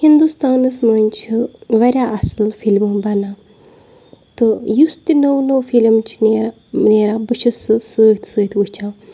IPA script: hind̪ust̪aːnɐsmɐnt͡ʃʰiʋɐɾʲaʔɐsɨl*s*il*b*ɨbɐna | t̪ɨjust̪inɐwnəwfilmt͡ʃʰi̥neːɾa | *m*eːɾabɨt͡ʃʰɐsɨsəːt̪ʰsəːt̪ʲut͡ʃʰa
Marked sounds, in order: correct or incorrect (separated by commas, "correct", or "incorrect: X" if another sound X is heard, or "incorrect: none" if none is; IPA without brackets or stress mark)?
incorrect: f, incorrect: m, incorrect: n